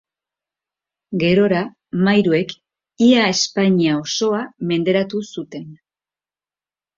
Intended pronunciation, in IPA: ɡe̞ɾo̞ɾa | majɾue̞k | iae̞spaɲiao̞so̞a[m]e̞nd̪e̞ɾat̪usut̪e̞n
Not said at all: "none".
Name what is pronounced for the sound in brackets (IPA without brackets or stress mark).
m